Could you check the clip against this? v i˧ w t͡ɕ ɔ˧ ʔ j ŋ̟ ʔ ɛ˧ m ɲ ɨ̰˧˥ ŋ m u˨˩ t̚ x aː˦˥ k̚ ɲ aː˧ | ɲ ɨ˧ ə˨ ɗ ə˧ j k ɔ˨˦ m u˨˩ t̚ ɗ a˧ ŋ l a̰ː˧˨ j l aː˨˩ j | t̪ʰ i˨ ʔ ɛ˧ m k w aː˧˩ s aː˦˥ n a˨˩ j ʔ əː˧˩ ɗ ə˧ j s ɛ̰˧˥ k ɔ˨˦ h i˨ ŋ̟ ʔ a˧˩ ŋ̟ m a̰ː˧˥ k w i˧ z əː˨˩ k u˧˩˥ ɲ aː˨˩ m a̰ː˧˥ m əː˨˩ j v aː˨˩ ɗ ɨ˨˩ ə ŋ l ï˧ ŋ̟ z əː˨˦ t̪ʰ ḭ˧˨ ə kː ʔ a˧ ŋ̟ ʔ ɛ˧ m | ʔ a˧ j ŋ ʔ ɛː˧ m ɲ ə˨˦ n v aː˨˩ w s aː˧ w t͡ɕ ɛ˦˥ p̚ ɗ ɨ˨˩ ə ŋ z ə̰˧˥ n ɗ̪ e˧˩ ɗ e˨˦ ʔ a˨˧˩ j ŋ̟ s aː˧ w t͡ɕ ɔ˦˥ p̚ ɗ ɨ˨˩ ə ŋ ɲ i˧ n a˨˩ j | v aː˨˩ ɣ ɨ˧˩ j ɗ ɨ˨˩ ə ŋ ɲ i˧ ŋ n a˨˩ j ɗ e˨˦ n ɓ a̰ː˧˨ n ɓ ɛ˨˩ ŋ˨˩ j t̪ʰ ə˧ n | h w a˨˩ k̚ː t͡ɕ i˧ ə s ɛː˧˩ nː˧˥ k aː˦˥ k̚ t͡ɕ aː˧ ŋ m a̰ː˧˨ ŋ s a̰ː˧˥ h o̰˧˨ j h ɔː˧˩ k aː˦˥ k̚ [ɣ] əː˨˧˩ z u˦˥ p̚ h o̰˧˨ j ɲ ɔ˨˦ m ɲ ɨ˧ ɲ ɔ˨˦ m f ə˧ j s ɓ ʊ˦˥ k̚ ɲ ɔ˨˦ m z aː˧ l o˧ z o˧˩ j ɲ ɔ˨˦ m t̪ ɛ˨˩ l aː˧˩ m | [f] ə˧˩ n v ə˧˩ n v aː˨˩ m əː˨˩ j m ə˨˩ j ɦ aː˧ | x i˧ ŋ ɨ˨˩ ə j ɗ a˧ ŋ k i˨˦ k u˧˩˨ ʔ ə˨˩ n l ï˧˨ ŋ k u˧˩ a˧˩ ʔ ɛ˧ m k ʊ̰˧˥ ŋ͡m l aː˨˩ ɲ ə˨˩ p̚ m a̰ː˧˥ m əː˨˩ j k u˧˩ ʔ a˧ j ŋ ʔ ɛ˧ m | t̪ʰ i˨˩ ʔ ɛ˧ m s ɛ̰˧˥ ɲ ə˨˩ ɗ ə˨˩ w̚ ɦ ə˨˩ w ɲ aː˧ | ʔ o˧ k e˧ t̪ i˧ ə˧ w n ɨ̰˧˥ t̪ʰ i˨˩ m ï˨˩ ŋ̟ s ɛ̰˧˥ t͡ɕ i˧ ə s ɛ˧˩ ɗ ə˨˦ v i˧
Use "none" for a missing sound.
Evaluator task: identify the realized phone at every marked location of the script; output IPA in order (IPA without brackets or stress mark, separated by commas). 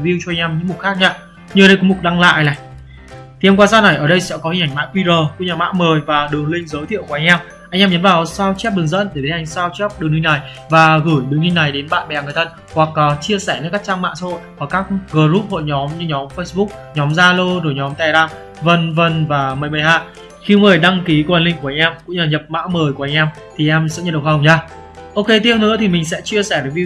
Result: ɣ, v